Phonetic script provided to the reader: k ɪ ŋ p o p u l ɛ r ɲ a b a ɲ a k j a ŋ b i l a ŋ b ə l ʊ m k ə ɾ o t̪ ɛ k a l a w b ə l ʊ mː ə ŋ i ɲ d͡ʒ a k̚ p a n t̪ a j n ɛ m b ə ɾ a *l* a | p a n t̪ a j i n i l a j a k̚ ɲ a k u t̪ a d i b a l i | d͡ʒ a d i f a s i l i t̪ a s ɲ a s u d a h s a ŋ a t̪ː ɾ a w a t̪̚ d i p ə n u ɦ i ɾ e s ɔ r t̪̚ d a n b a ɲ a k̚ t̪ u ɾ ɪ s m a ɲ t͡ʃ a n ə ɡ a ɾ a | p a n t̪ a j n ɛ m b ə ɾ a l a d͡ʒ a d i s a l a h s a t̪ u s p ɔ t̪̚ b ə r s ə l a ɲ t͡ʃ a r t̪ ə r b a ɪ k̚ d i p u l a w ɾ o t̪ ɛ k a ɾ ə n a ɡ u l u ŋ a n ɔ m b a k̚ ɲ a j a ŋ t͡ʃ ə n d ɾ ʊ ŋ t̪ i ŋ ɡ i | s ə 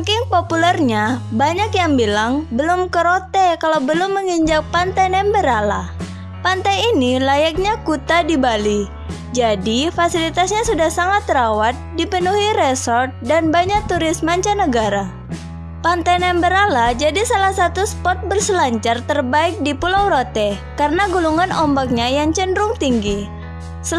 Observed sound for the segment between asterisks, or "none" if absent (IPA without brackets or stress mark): l